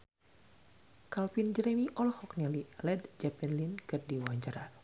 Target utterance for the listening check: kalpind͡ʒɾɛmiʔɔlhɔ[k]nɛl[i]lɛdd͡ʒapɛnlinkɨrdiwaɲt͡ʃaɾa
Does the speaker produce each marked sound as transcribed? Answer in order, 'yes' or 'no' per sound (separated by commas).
yes, yes